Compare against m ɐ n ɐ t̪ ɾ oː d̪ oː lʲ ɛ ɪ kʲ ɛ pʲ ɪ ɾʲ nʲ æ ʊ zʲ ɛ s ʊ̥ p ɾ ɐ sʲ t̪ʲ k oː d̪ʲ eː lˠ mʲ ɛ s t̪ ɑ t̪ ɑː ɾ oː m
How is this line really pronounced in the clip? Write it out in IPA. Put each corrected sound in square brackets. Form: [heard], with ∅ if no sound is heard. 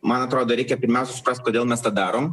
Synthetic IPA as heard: m ɐ n ɐ t̪ ɾ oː d̪ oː [ɾʲ] ɛ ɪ kʲ ɛ pʲ ɪ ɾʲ [mʲ] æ ʊ [sʲ] ɛ s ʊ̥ p ɾ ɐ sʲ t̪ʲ k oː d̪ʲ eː lˠ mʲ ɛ s t̪ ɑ [d̪] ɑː ɾ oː m